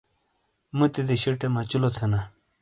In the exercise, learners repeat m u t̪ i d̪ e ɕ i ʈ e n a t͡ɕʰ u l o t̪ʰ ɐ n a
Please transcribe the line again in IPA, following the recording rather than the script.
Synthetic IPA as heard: m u t̪ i d̪ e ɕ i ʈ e m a t͡ɕ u l o t̪ʰ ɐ n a

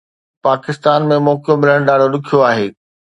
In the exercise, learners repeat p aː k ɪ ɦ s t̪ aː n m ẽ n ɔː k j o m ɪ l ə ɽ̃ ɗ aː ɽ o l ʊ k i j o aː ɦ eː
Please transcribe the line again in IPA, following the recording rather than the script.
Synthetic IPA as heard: p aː k ɪ s t̪ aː n m ẽ m ɔː k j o m ɪ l ə ɽ̃ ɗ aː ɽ o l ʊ kʰ i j o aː ɦ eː

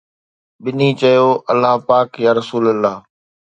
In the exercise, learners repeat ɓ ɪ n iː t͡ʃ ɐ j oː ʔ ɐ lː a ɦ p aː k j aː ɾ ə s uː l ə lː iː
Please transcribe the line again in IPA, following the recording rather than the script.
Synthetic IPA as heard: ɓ ɪ n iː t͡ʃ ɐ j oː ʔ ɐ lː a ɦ p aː k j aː ɾ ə s uː l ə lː aː

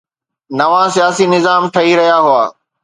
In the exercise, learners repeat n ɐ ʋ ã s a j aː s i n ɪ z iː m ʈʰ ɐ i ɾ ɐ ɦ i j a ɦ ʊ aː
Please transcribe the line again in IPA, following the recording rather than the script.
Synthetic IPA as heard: n ɐ ʋ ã s i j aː s i n ɪ z aː m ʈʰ ɐ i ɾ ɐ ɦ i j a ɦ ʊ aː

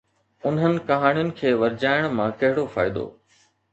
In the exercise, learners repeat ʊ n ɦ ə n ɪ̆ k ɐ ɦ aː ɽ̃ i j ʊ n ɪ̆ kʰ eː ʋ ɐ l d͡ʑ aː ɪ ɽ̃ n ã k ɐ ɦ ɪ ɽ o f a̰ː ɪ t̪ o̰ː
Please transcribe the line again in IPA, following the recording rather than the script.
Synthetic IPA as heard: ʊ n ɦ ə n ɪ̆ k ɐ ɦ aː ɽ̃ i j ʊ n ɪ̆ kʰ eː ʋ ɐ ɾ d͡ʑ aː ɪ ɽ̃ m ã k ɐ ɦ ɪ ɽ o f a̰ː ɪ d̪ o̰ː

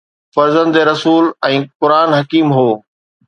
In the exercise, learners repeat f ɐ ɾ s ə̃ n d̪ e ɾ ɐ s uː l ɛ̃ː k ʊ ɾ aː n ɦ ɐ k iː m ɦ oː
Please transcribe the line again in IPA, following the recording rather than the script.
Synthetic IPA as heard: f ɐ ɾ z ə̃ n d̪ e ɾ ɐ s uː l ɛ̃ː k ʊ ɾ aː n ɦ ɐ k iː m ɦ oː

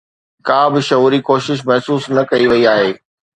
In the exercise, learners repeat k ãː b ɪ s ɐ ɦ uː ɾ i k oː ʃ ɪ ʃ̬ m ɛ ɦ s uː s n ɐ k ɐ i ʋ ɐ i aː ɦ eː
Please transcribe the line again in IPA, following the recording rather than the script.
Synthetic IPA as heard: k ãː b ɪ ʃ ɐ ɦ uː ɾ i k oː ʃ ɪ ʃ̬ m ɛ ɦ s uː s n ɐ k ɐ i ʋ ɐ i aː ɦ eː

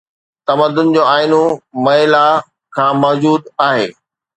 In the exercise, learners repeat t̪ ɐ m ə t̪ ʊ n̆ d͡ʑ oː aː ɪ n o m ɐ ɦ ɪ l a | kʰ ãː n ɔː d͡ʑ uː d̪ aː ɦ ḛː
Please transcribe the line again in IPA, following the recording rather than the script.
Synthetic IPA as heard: t̪ ɐ m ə d̪ ʊ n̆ d͡ʑ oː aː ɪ n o m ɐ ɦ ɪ l a | kʰ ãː m ɔː d͡ʑ uː d̪ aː ɦ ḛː

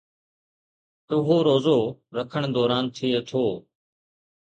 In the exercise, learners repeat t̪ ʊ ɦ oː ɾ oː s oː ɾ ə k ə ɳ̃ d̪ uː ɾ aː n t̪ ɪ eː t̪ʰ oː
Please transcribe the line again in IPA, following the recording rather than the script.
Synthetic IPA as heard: t̪ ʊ ɦ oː ɾ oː z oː ɾ ə kʰ ə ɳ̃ d̪ ɔː ɾ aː n t̪ʰ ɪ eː t̪ʰ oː

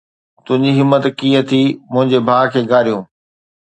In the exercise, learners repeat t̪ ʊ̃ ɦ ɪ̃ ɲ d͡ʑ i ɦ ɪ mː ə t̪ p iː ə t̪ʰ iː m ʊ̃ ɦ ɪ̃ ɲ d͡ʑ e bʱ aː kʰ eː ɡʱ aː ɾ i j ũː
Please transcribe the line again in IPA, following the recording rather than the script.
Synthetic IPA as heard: t̪ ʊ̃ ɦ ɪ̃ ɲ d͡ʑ i ɦ ɪ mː ə t̪ k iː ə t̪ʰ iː m ʊ̃ ɦ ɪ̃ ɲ d͡ʑ e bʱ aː kʰ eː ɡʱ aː ɾ i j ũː

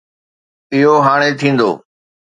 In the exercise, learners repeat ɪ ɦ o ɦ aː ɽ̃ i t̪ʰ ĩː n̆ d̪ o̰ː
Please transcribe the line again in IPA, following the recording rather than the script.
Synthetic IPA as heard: ɪ ɦ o ɦ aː ɽ̃ e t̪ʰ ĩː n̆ d̪ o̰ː

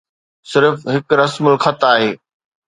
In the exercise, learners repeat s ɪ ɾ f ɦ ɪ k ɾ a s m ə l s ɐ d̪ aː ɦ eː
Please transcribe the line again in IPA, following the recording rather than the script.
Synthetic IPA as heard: s ɪ ɾ f ɦ ɪ k ɾ ɐ s m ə l x ɐ t̪ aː ɦ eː

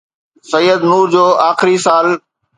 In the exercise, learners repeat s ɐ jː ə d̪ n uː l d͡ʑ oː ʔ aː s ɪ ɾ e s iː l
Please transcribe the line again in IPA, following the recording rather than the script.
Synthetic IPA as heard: s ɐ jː ə d̪ n uː ɾ d͡ʑ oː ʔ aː x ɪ ɾ i s aː l

